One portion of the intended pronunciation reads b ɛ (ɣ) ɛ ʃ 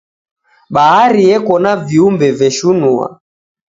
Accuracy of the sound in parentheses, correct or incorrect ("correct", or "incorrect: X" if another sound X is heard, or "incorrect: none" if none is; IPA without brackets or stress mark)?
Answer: incorrect: v